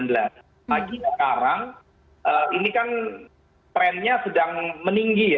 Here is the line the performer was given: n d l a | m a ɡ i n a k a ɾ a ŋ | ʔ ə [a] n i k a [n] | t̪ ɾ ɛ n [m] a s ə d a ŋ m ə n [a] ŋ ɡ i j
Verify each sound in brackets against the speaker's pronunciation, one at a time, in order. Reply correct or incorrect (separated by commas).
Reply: incorrect, correct, incorrect, incorrect